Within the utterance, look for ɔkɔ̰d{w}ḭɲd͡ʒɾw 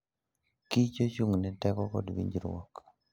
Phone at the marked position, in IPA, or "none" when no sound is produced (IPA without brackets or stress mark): w